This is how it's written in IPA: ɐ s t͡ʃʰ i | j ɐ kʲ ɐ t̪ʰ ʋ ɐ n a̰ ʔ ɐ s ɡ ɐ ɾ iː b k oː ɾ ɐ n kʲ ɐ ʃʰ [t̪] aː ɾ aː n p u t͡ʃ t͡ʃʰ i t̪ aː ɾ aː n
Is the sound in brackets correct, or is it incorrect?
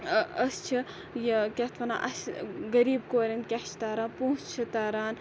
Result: correct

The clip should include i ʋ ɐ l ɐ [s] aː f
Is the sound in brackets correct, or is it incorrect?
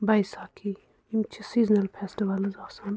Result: incorrect: z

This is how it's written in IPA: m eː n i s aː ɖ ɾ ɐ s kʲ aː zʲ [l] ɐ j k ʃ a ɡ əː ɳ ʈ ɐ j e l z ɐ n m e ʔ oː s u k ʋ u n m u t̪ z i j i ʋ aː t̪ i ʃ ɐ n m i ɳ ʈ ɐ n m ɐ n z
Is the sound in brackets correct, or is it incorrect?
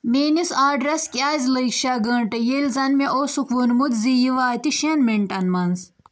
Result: correct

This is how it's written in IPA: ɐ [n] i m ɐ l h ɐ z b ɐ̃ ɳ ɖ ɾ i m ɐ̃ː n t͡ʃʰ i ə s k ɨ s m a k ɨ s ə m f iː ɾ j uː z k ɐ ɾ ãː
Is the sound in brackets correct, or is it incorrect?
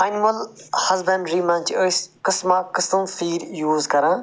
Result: correct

